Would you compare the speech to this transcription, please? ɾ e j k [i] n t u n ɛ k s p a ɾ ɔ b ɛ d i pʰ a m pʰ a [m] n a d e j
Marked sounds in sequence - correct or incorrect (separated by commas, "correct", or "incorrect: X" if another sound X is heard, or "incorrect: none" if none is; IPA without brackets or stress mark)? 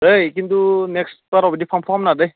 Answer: correct, correct